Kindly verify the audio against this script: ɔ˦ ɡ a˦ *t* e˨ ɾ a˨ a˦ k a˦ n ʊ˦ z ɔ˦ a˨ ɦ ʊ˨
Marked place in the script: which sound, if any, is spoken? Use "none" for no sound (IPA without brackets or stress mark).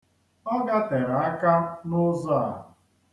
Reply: t